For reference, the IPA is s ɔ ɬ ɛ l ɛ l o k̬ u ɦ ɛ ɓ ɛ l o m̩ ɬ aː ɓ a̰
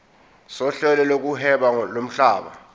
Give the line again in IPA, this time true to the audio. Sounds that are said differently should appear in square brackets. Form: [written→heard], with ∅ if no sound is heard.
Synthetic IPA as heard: s ɔ ɬ ɛ l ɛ l o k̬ u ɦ ɛ ɓ [ɛ→a] l o m̩ ɬ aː ɓ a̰